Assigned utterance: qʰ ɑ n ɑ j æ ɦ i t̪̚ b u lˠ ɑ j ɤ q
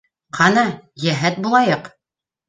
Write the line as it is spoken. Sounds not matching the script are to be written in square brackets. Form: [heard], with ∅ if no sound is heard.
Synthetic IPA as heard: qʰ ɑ n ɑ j æ ɦ [æ] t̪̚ b u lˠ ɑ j ɤ q